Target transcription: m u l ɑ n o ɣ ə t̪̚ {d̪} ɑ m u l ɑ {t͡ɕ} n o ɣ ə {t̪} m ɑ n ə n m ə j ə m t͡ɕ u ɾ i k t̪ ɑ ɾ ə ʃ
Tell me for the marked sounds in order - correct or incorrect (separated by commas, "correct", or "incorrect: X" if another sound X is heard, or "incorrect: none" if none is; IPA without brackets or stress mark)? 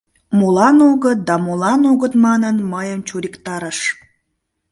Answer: correct, incorrect: none, correct